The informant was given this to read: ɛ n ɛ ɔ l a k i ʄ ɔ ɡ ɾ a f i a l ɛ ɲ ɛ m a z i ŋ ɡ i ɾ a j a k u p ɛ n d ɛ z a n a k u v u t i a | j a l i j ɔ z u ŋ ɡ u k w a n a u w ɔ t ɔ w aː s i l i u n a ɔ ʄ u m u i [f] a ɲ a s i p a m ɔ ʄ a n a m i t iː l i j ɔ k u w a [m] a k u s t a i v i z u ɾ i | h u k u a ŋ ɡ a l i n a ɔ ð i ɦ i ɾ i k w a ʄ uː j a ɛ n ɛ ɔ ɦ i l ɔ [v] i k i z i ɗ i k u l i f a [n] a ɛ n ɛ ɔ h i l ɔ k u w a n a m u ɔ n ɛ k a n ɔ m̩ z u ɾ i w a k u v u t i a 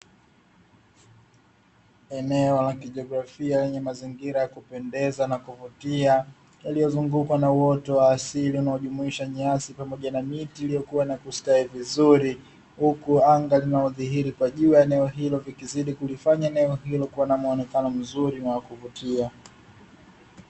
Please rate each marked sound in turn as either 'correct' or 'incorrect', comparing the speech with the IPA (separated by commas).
incorrect, incorrect, correct, incorrect